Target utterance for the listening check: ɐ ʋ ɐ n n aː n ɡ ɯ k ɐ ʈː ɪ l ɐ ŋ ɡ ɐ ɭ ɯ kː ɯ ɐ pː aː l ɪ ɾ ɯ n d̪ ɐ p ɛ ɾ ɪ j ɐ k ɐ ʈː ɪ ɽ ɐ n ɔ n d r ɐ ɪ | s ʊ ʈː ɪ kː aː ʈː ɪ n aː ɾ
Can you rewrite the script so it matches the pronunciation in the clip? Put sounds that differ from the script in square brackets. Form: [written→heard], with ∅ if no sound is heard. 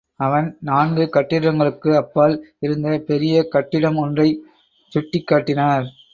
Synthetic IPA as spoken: ɐ ʋ ɐ n n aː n ɡ ɯ k ɐ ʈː ɪ [l→ɽ] ɐ ŋ ɡ ɐ ɭ ɯ kː ɯ ɐ pː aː l ɪ ɾ ɯ n d̪ ɐ p ɛ ɾ ɪ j ɐ k ɐ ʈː ɪ ɽ ɐ [n→m] ɔ n d r ɐ ɪ | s ʊ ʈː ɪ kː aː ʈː ɪ n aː ɾ

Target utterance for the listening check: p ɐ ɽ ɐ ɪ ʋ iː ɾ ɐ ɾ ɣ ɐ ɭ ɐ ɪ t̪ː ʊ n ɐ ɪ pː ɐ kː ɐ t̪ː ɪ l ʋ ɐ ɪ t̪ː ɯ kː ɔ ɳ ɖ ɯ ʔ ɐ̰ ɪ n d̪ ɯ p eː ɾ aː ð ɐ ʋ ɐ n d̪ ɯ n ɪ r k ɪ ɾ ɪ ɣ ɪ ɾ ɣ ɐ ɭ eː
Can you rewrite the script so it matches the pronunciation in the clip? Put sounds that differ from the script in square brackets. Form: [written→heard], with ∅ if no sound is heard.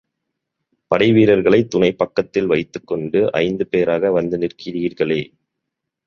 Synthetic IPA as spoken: p ɐ ɽ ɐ ɪ ʋ iː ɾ ɐ ɾ ɣ ɐ ɭ ɐ ɪ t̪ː ʊ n ɐ ɪ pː ɐ kː ɐ t̪ː ɪ l ʋ ɐ ɪ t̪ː ɯ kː ɔ ɳ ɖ ɯ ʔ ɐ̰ ɪ n d̪ ɯ p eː ɾ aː [ð→ɣ] ɐ ʋ ɐ n d̪ ɯ n ɪ r k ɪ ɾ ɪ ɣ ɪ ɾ ɣ ɐ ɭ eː

